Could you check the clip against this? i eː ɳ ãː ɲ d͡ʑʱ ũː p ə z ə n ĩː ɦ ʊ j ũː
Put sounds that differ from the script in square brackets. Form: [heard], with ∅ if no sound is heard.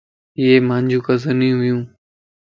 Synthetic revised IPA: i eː [m] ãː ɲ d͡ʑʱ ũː [k] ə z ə n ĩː ɦ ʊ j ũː